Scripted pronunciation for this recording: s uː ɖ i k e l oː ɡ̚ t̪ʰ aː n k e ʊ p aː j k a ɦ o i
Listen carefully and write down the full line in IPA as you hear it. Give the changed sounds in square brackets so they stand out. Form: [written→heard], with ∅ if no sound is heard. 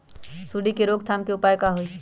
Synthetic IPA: s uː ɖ i k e [l→ɾ] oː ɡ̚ t̪ʰ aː [n→m] k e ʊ p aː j k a ɦ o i